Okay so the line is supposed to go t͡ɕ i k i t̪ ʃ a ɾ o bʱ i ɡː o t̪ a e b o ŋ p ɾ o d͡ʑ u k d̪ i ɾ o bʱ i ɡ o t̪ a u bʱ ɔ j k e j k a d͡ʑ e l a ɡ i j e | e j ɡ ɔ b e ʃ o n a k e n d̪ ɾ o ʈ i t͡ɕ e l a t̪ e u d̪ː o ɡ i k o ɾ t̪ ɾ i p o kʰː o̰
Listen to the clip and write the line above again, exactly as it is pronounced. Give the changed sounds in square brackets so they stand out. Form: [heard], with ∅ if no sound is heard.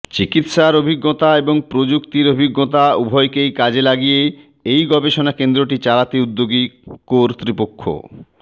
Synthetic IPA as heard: t͡ɕ i k i t̪ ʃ a ɾ o bʱ i ɡː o t̪ a e b o ŋ p ɾ o d͡ʑ u k [t̪] i ɾ o bʱ i [ɡː] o t̪ a u bʱ ɔ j k e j k a d͡ʑ e l a ɡ i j e | e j ɡ ɔ b e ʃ o n a k e n d̪ ɾ o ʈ i t͡ɕ [a] l a t̪ e u d̪ː o ɡ i k o ɾ t̪ ɾ i p o kʰː o̰

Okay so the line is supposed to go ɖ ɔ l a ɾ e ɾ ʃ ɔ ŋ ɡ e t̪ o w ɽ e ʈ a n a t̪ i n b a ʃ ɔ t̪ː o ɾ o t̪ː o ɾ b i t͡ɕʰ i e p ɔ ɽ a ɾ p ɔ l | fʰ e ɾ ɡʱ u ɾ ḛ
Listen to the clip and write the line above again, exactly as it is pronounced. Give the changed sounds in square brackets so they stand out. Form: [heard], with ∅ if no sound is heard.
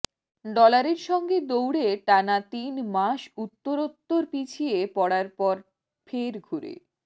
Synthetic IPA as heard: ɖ ɔ l a ɾ e ɾ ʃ ɔ ŋ ɡ e [d̪] o w ɽ e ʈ a n a t̪ i n [m] a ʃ [u] t̪ː o ɾ o t̪ː o ɾ [p] i t͡ɕʰ i e p ɔ ɽ a ɾ p ɔ [ɾ] | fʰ e ɾ ɡʱ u ɾ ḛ

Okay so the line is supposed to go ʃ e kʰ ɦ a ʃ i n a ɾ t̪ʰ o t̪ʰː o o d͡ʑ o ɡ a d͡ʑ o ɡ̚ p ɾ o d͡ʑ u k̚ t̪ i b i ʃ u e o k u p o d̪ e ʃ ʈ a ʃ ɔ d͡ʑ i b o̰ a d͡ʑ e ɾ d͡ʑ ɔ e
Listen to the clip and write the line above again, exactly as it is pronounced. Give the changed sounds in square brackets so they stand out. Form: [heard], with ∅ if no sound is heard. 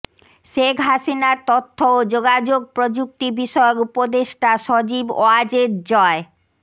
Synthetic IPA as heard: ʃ e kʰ ɦ a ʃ i n a ɾ [t̪] o t̪ʰː o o d͡ʑ o ɡ a d͡ʑ o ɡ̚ p ɾ o d͡ʑ u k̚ t̪ i b i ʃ [ɔ] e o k u p o d̪ e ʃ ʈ a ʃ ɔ d͡ʑ i b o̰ a d͡ʑ e ɾ d͡ʑ ɔ e

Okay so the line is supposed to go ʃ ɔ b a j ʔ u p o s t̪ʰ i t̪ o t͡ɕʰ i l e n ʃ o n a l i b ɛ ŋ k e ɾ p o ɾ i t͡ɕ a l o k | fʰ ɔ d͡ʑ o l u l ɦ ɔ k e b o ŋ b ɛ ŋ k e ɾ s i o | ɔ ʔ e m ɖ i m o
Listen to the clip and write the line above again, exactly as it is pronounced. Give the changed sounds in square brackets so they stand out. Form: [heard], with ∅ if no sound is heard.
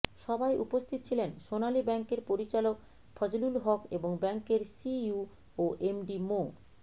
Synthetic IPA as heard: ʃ ɔ b a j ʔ u p o s t̪ʰ i t̪ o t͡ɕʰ i l e n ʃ o n a l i b ɛ ŋ k e ɾ p o ɾ i t͡ɕ a l o k | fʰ ɔ d͡ʑ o l u l ɦ ɔ k e b o ŋ b ɛ ŋ k e ɾ s i [u] | [o] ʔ e m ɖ i m o

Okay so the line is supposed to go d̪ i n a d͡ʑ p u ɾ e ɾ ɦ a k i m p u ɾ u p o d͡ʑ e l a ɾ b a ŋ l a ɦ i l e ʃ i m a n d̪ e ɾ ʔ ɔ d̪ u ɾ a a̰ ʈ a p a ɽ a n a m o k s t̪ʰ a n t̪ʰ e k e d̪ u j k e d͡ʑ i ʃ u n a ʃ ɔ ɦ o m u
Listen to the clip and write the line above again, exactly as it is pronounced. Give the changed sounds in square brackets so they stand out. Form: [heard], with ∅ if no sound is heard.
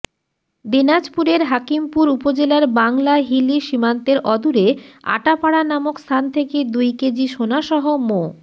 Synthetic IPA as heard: d̪ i n a d͡ʑ p u ɾ e ɾ ɦ a k i m p u ɾ u p o d͡ʑ e l a ɾ b a ŋ l a ɦ i l [i] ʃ i m a n [t̪] e ɾ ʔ ɔ d̪ u ɾ [e] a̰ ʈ a p a ɽ a n a m o k s t̪ʰ a n t̪ʰ e k e d̪ u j k e d͡ʑ i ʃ [o] n a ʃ ɔ ɦ o m [o]

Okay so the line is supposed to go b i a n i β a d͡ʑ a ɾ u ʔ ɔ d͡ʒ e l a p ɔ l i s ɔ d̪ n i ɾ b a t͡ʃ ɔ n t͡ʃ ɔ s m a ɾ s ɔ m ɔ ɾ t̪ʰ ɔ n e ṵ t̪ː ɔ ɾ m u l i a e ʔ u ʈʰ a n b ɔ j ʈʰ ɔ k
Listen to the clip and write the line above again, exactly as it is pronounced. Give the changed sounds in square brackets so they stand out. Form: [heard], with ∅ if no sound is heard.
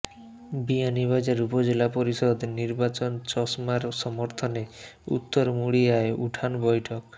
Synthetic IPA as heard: b i a n i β a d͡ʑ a ɾ u [p] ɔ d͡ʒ e l a p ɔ [ɾ] i s ɔ d̪ n i ɾ b a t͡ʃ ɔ n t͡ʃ ɔ s m a ɾ s ɔ m ɔ ɾ t̪ʰ ɔ n e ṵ t̪ː ɔ ɾ m u [ɽ] i a e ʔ u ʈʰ a n b ɔ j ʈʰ ɔ k

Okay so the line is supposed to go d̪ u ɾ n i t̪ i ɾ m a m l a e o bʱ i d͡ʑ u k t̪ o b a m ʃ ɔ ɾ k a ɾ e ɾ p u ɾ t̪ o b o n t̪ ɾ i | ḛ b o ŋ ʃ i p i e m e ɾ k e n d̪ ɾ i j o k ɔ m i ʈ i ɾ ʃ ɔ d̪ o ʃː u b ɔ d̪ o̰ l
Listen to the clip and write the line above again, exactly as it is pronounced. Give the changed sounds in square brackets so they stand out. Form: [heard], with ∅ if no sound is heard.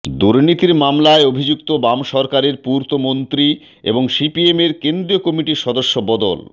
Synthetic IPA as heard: d̪ u ɾ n i t̪ i ɾ m a m l a e o bʱ i d͡ʑ u k t̪ o b a m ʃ ɔ ɾ k a ɾ e ɾ p u ɾ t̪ o [m] o n t̪ ɾ i | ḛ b o ŋ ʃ i p i e m e ɾ k e n d̪ ɾ i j o k ɔ m i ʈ i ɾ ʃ ɔ d̪ o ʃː [o] b ɔ d̪ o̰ l

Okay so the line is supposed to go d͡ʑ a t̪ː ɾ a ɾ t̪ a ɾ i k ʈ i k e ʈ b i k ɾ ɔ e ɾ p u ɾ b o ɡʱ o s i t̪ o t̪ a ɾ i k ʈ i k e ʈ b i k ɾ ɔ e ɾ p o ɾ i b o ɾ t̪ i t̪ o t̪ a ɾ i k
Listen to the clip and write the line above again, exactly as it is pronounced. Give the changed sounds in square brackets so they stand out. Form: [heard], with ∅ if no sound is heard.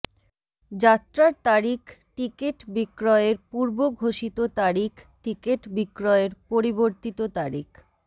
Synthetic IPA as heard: d͡ʑ a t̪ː ɾ a ɾ t̪ a ɾ i k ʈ i k e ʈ b i k ɾ ɔ e ɾ p u ɾ b o ɡʱ o [ʃ] i t̪ o t̪ a ɾ i k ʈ i k e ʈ b i k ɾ ɔ e ɾ p o ɾ i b o ɾ t̪ i t̪ o t̪ a ɾ i k

